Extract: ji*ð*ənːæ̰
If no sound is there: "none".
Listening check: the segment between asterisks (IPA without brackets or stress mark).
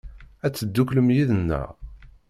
ð